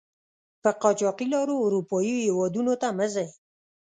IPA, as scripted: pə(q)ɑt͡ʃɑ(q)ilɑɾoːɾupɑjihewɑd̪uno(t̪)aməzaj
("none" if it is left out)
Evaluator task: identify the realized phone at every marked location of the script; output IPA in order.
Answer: q, q, t̪

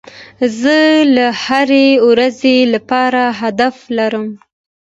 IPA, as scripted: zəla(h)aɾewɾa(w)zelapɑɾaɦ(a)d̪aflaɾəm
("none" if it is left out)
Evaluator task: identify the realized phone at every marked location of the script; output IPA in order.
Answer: h, none, a

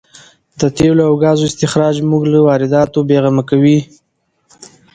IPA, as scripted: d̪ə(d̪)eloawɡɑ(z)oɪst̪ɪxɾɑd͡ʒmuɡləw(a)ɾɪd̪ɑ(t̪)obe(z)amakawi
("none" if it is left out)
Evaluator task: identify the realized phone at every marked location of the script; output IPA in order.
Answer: t̪, z, ɑ, t̪, ɣ

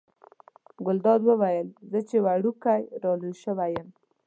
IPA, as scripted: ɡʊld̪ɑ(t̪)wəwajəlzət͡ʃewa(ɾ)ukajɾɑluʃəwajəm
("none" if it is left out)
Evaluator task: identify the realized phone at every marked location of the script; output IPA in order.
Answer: d̪, ɽ

